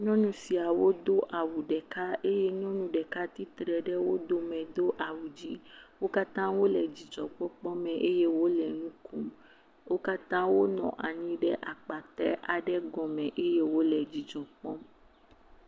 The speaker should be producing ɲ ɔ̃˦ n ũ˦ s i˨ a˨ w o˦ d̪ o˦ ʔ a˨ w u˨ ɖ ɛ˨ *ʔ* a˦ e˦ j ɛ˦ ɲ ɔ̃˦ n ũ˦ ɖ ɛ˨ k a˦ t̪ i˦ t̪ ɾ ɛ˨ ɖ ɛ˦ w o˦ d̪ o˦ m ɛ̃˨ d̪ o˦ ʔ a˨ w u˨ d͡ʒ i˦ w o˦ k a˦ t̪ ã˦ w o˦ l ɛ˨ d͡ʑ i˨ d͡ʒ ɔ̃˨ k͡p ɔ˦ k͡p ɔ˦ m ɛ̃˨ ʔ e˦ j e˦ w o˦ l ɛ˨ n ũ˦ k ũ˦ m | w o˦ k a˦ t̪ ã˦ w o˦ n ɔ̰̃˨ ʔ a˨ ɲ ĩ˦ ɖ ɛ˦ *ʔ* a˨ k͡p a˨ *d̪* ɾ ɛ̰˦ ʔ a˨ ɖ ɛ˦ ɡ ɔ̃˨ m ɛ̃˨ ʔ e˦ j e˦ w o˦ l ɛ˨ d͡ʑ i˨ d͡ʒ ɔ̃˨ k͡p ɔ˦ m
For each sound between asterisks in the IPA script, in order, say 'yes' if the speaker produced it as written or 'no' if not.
no, yes, no

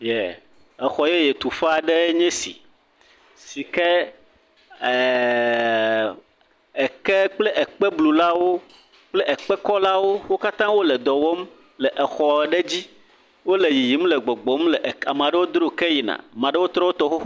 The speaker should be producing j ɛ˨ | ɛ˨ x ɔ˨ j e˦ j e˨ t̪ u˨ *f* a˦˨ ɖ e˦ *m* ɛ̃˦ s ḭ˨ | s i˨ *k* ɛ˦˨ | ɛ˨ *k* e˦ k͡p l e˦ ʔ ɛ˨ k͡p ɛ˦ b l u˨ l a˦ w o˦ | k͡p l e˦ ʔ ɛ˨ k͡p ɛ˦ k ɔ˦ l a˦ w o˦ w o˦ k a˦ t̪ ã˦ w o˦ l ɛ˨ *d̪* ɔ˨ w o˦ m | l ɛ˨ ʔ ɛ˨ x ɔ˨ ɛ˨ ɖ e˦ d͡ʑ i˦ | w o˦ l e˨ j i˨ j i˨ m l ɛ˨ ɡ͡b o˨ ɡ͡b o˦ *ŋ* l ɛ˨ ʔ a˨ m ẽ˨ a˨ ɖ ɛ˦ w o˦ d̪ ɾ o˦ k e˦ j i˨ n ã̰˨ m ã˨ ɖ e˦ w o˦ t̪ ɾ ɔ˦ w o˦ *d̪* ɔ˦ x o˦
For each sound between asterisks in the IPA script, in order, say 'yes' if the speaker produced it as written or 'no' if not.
yes, no, yes, yes, yes, no, no

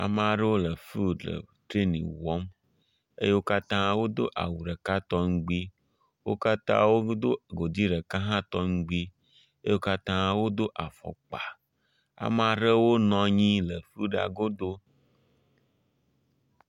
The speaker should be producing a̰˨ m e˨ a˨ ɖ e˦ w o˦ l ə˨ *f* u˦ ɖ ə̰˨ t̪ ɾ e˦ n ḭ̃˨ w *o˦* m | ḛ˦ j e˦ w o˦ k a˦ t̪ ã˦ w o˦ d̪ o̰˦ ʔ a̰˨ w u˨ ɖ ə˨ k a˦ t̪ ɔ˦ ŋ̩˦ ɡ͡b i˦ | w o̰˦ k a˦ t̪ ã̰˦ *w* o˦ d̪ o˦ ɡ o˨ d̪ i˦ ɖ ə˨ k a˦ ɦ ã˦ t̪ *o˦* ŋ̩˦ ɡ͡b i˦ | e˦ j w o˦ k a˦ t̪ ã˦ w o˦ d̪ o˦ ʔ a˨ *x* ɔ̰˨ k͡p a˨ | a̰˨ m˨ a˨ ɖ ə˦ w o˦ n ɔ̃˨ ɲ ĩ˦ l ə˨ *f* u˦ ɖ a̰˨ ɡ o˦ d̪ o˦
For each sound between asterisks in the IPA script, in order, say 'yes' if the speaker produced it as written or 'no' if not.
yes, no, yes, no, no, yes

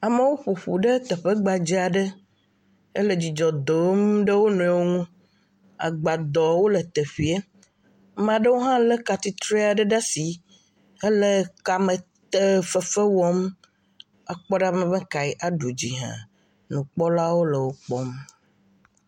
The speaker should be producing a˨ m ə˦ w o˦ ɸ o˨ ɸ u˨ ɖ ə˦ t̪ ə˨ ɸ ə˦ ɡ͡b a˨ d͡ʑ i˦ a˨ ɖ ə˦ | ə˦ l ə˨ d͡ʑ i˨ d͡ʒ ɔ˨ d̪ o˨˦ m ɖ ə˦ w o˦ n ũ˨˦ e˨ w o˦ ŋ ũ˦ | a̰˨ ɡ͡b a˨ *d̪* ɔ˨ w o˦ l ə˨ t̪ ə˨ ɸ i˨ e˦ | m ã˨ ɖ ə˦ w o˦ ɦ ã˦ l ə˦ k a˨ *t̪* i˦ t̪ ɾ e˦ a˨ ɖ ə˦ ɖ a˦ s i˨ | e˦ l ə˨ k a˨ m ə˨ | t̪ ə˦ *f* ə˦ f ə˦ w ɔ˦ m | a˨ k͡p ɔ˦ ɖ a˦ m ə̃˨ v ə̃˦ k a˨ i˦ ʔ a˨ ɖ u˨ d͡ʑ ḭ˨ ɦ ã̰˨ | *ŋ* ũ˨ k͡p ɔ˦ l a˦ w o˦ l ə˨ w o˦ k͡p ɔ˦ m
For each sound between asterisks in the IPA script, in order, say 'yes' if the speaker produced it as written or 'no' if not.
yes, yes, yes, no

